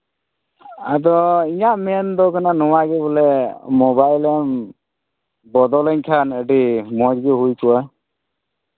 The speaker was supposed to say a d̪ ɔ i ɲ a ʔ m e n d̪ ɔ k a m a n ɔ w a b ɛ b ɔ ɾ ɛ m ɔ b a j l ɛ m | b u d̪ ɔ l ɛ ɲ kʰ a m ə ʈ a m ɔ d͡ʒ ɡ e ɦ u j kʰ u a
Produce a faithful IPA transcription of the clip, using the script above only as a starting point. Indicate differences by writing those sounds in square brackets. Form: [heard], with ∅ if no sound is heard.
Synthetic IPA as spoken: a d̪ ɔ i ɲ a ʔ m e n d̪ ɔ k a [n] a n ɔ w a [ɡ] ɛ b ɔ [l] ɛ m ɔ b a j l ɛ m | b [ɔ] d̪ ɔ l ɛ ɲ kʰ a [n] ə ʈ [i] m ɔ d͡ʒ ɡ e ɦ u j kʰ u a

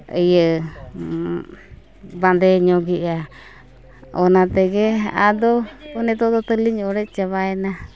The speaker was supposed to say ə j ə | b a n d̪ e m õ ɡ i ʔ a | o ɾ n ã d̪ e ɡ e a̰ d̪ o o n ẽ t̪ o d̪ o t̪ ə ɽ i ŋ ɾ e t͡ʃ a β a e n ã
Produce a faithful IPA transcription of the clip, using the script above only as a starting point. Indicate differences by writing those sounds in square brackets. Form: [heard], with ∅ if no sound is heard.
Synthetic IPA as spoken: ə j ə | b a n d̪ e [ɲ] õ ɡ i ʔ a | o [∅] n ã [t̪] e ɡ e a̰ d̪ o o n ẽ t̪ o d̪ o t̪ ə [l] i [ɲ] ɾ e t͡ʃ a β a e n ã

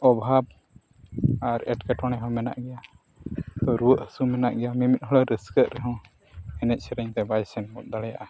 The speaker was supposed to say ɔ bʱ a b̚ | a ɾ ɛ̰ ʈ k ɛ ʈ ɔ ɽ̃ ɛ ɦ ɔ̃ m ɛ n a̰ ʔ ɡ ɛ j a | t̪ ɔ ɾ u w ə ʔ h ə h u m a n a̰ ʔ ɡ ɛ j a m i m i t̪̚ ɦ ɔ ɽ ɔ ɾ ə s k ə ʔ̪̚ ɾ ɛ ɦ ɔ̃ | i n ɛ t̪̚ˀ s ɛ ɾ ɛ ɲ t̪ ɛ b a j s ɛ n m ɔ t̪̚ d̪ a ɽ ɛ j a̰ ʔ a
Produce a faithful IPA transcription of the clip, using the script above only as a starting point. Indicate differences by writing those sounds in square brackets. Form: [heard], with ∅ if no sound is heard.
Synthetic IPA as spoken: ɔ bʱ a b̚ | a ɾ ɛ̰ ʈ k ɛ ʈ ɔ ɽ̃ ɛ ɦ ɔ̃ m ɛ n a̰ ʔ ɡ ɛ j a | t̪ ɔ ɾ u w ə ʔ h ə [s] u m [ɛ] n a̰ ʔ ɡ ɛ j a m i m i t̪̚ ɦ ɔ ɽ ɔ ɾ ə s k ə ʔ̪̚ ɾ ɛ ɦ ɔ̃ | [ɛ] n ɛ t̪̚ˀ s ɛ ɾ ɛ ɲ t̪ ɛ b a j s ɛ n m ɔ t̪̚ d̪ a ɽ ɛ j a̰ ʔ a

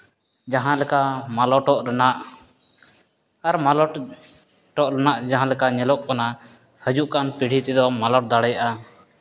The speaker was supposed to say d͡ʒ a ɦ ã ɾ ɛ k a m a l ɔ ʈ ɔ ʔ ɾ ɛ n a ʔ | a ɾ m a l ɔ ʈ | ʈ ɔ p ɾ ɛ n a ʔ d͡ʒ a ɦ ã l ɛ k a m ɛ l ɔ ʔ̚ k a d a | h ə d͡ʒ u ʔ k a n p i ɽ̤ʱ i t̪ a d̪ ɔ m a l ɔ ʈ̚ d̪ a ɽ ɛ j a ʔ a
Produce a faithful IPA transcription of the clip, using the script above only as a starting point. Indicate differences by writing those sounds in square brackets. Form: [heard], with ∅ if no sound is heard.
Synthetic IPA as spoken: d͡ʒ a ɦ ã [l] ɛ k a m a l ɔ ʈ ɔ ʔ ɾ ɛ n a ʔ | a ɾ m a l ɔ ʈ | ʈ ɔ [ʔ] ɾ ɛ n a ʔ d͡ʒ a ɦ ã l ɛ k a [ɲ] ɛ l ɔ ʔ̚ k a [n] a | h ə d͡ʒ u ʔ k a n p i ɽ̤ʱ i t̪ [ɛ] d̪ ɔ m a l ɔ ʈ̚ d̪ a ɽ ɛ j a ʔ a

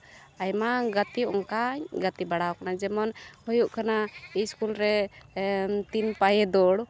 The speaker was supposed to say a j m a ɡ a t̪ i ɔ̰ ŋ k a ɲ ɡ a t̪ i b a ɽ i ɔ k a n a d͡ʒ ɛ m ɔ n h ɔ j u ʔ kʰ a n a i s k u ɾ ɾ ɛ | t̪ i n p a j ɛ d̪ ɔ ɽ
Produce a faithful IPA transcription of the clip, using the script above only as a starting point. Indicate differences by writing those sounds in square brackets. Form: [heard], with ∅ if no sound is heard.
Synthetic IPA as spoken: a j m a ɡ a t̪ i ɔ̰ ŋ k a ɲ ɡ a t̪ i b a ɽ [a] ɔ k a n a d͡ʒ ɛ m ɔ n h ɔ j u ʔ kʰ a n a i s k u [l] ɾ ɛ | t̪ i n p a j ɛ d̪ ɔ ɽ

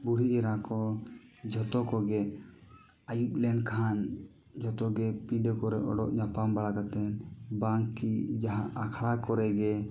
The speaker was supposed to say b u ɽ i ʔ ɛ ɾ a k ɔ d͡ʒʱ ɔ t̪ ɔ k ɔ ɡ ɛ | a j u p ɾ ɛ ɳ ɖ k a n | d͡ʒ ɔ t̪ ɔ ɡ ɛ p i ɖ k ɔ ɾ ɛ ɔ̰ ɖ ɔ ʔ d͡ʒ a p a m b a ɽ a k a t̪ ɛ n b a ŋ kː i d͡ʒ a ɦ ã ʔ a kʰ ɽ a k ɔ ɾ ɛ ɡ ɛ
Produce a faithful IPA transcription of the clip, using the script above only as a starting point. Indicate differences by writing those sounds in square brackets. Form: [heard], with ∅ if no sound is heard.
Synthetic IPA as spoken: b u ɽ i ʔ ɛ ɾ a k ɔ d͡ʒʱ ɔ t̪ ɔ k ɔ ɡ ɛ | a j u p [l] ɛ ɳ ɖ [kʰ] a n | d͡ʒ ɔ t̪ ɔ ɡ ɛ p i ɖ k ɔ ɾ ɛ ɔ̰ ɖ ɔ ʔ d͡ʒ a p a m b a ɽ a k a t̪ ɛ n b a ŋ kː i d͡ʒ a ɦ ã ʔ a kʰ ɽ a k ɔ ɾ ɛ ɡ ɛ

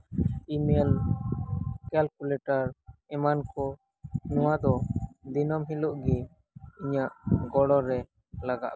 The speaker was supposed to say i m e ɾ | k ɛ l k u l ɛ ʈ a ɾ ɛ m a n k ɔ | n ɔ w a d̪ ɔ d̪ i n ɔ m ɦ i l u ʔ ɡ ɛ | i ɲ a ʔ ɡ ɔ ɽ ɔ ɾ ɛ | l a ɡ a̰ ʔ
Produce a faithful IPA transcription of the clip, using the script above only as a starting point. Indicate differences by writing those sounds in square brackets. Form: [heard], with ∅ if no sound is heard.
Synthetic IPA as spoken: i m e [l] | k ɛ l k u l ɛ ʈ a ɾ ɛ m a n k ɔ | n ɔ w a d̪ ɔ d̪ i n ɔ m ɦ i l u ʔ ɡ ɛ | i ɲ a ʔ ɡ ɔ ɽ ɔ ɾ ɛ | l a ɡ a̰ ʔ

